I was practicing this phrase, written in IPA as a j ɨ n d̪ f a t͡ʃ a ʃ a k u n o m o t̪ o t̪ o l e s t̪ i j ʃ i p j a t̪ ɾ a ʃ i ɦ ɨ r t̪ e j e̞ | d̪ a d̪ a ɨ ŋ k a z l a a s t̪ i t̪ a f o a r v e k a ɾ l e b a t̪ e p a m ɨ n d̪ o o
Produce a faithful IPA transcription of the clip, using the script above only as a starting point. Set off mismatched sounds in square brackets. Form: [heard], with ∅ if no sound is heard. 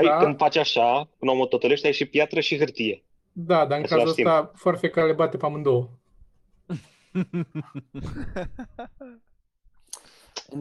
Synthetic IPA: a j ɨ n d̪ f a t͡ʃ a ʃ a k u n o m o t̪ o t̪ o l e [ʃ] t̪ [a] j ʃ i p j a t̪ ɾ [ə] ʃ i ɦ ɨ r t̪ [i] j e̞ | d̪ a d̪ a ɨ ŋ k a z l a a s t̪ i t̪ a f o a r [f] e k a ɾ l e b a t̪ e p a m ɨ n d̪ o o